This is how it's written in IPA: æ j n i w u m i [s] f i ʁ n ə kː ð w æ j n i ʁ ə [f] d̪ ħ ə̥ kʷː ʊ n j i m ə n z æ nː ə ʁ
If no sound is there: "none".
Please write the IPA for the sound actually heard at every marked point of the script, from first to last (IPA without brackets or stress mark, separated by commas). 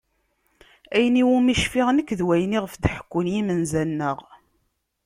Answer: ʃ, f